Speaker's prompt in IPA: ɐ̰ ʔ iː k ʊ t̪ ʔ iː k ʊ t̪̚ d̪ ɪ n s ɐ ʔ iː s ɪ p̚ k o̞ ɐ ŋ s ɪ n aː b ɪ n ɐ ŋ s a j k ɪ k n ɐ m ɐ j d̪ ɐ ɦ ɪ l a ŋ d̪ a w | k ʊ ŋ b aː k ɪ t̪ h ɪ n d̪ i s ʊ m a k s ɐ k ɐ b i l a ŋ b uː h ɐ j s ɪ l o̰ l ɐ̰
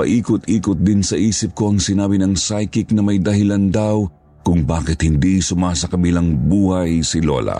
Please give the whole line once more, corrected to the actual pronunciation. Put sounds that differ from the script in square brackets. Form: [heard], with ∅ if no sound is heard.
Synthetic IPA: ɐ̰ ʔ iː k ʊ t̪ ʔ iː k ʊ t̪̚ d̪ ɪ n s ɐ ʔ iː s ɪ p̚ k o̞ ɐ ŋ s ɪ n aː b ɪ n ɐ ŋ s a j k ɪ k n ɐ m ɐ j d̪ ɐ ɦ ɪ l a [n] d̪ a w | k ʊ ŋ b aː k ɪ t̪ h ɪ n d̪ i s ʊ m a [∅] s ɐ k ɐ b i l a ŋ b uː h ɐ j s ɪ l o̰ l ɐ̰